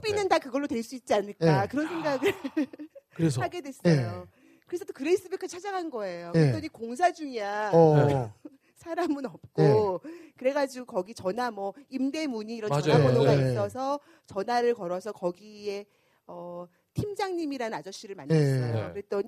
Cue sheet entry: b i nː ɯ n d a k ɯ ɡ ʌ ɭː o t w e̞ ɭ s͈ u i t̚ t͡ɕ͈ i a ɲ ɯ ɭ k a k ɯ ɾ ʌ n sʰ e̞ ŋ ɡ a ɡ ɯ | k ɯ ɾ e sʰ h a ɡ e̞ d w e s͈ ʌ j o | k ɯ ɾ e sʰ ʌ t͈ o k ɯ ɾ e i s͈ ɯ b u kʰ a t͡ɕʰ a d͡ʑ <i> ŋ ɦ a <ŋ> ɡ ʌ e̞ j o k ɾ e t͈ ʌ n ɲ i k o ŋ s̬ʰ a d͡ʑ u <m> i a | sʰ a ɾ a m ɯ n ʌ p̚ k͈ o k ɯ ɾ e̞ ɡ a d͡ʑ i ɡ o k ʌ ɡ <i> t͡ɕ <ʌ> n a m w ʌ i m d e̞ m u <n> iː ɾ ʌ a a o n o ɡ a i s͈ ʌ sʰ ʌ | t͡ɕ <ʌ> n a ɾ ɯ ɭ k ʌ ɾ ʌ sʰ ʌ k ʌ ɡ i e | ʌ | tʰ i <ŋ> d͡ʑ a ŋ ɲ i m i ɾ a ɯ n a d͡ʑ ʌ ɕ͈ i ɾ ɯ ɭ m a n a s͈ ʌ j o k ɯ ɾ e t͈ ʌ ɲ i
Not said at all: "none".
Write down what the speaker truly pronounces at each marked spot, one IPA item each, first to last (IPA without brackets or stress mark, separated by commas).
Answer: a, n, ŋ, i, ʌ, ɲ, ʌ, m